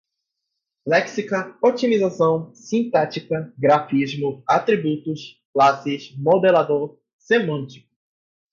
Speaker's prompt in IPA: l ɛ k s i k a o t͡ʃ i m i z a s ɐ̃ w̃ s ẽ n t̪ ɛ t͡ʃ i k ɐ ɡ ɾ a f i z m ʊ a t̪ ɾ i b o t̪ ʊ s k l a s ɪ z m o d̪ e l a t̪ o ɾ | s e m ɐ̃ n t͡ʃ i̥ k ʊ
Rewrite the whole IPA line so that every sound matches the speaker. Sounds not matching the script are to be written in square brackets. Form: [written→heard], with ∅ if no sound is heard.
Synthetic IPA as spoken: l ɛ k s i k [a→ɐ] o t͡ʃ i m i z a s ɐ̃ w̃ s [ẽ→ĩ] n t̪ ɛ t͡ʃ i k ɐ ɡ ɾ a f i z m ʊ a t̪ ɾ i b [o→u] t̪ ʊ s k l a s ɪ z m o d̪ e l a [t̪→d̪] o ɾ | s e m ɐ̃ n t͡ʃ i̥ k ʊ

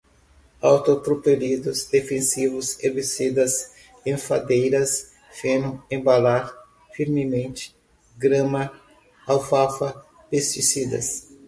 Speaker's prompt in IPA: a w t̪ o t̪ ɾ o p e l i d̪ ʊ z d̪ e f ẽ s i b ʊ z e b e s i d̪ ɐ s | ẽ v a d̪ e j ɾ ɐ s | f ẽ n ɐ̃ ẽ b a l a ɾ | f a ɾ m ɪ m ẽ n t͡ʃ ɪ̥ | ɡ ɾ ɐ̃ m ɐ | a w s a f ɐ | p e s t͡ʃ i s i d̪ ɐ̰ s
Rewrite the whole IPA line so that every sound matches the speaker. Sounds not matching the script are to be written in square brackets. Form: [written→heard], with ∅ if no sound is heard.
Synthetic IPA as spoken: a w t̪ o t̪ ɾ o p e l i d̪ ʊ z d̪ e f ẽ s i [b→v] ʊ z e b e s i d̪ ɐ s | ẽ [v→f] a d̪ e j ɾ ɐ s | f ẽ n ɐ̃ ẽ b a l a ɾ | f [a→i] ɾ m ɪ m ẽ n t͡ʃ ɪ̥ | ɡ ɾ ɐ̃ m ɐ | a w [s→f] a f ɐ | p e s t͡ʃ i s i d̪ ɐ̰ s

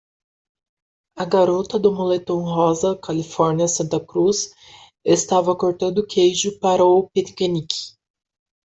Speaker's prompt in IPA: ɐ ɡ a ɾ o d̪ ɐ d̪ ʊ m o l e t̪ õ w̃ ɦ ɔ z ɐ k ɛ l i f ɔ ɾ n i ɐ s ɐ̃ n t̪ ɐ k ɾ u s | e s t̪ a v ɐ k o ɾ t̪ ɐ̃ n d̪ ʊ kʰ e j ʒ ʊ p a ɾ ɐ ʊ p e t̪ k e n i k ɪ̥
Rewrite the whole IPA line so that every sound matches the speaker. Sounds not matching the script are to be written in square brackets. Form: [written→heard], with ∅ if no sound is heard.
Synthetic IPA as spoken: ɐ ɡ a ɾ o [d̪→t̪] ɐ d̪ ʊ m o l e t̪ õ w̃ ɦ ɔ z ɐ k [ɛ→a] l i f ɔ ɾ n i ɐ s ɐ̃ n t̪ ɐ k ɾ u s | e s t̪ a v ɐ k o ɾ t̪ ɐ̃ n d̪ ʊ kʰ e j ʒ ʊ p a ɾ ɐ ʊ p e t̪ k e n i k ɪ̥

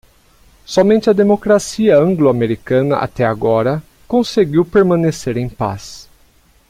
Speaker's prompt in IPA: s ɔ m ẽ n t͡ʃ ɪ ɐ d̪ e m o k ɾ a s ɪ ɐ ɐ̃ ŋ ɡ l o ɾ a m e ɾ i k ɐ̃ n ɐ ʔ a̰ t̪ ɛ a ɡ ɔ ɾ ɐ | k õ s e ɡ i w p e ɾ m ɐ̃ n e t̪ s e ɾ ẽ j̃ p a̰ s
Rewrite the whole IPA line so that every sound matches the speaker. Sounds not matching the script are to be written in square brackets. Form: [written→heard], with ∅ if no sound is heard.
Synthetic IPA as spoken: s ɔ m ẽ n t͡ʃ ɪ ɐ d̪ e m o k ɾ a s [ɪ→i] ɐ ɐ̃ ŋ ɡ l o [ɾ→∅] a m e ɾ i k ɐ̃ n ɐ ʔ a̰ t̪ ɛ a ɡ ɔ ɾ ɐ | k õ s e ɡ i w p e ɾ m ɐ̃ n e [t̪→∅] s e ɾ ẽ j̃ p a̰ s

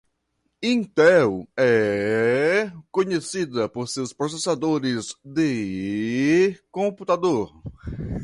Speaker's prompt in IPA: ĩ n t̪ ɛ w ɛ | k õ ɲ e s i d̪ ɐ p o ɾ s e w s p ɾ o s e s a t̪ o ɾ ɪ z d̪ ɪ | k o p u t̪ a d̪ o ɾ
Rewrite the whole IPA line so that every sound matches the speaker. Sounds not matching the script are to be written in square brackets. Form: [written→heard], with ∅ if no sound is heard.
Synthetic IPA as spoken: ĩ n t̪ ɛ w ɛ | k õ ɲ e s i d̪ ɐ p o ɾ s e w s p ɾ o s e s a [t̪→d̪] o ɾ ɪ z d̪ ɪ | k [o→õ] p u t̪ a d̪ o ɾ

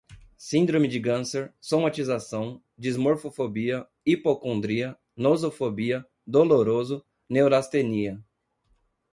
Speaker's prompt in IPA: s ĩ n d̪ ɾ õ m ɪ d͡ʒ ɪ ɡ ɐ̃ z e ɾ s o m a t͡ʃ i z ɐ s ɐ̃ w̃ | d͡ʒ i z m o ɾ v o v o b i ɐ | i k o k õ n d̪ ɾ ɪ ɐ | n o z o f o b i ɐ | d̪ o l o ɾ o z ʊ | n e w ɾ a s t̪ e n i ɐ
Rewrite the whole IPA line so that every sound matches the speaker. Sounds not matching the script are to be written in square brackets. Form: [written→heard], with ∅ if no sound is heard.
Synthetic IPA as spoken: s ĩ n d̪ ɾ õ m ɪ d͡ʒ ɪ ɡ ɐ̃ [z→s] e ɾ s o m a t͡ʃ i z [ɐ→a] s ɐ̃ w̃ | d͡ʒ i z m o ɾ [v→f] o [v→f] o b i ɐ | i [k→p] o k õ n d̪ ɾ [ɪ→i] ɐ | n o z o f o b i ɐ | d̪ o l o ɾ o z ʊ | n e w ɾ a s t̪ e n i ɐ

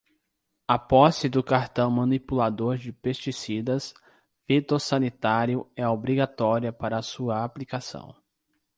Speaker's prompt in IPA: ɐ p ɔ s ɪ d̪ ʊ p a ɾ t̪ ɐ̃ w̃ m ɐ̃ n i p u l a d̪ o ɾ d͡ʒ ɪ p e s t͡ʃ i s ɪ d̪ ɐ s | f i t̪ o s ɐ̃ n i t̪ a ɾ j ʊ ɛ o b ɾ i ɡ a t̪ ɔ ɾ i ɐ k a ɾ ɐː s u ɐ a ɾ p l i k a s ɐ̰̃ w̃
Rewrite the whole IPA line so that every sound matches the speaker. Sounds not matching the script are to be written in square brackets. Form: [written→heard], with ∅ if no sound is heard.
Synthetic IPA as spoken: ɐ p ɔ s ɪ d̪ ʊ [p→k] a ɾ t̪ ɐ̃ w̃ m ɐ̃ n i p u l a d̪ o ɾ d͡ʒ ɪ p e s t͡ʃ i s [ɪ→i] d̪ ɐ s | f i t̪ o s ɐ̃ n i t̪ a ɾ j ʊ ɛ o b ɾ i ɡ a t̪ ɔ ɾ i ɐ [k→p] a ɾ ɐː s u ɐ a [ɾ→∅] p l i k a s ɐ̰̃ w̃

